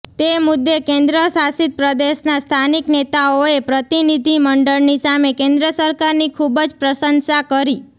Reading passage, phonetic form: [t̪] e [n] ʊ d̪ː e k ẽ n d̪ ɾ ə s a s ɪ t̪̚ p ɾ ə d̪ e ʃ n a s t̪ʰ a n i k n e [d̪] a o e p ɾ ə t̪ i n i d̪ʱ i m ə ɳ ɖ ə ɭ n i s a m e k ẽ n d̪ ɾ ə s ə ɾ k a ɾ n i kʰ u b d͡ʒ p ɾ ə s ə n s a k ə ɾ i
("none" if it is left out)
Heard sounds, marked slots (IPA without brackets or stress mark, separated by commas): t̪, m, t̪